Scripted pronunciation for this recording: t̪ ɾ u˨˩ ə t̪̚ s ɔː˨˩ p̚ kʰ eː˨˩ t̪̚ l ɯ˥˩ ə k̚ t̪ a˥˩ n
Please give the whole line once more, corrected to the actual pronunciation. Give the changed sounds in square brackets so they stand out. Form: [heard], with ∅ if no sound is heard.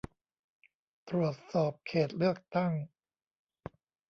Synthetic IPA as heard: t̪ ɾ u˨˩ ə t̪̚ s ɔː˨˩ p̚ kʰ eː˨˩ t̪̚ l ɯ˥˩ ə k̚ t̪ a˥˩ [ŋ]